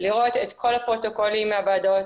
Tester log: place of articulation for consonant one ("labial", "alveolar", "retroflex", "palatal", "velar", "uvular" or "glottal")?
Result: alveolar